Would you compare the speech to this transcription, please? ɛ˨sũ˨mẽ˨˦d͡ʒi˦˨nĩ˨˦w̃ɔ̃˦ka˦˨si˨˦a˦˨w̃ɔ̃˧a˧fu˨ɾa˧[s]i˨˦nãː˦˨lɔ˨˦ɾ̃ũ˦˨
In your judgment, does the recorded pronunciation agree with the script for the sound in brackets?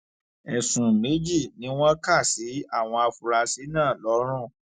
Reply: yes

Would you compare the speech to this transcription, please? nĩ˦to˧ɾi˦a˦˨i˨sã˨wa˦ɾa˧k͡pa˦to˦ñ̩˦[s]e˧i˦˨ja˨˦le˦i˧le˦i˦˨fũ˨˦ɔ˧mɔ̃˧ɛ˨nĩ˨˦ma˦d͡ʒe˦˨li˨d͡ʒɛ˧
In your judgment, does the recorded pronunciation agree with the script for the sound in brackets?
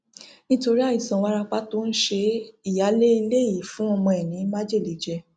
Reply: no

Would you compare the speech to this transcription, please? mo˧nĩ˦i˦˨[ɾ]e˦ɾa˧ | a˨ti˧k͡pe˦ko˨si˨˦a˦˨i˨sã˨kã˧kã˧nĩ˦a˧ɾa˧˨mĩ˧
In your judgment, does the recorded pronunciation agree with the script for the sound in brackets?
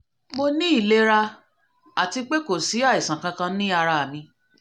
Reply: no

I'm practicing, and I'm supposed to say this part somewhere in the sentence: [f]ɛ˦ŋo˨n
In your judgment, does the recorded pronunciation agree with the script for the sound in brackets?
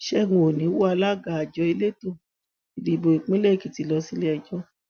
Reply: no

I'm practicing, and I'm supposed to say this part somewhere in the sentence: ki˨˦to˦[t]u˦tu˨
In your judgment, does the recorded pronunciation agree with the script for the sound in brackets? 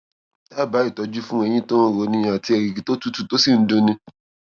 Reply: yes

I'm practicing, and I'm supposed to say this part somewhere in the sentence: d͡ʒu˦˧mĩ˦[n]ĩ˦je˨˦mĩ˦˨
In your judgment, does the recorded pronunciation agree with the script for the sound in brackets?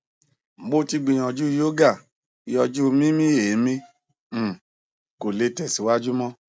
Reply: no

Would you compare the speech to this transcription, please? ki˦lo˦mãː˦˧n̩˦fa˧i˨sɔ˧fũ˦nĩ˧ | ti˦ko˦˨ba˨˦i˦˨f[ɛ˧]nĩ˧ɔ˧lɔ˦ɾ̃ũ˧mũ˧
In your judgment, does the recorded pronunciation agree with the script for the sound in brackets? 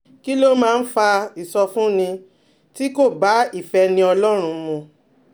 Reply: yes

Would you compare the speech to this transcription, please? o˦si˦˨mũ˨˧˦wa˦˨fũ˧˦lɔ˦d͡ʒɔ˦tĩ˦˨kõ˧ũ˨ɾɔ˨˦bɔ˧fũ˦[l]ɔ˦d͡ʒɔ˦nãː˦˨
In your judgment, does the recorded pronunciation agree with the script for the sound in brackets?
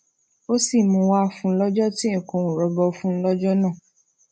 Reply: yes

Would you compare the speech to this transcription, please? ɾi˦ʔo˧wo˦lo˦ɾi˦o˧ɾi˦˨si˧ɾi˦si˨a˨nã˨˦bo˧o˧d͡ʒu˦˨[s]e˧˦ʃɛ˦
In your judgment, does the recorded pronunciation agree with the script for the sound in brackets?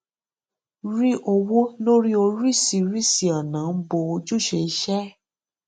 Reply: no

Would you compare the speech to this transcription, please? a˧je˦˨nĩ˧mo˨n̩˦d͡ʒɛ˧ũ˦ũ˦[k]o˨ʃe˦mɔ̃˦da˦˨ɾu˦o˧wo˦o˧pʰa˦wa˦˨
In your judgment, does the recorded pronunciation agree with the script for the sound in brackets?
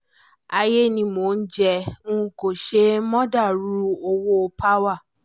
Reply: yes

